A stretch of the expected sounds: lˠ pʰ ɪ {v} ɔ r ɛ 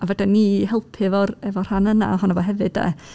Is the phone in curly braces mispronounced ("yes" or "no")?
no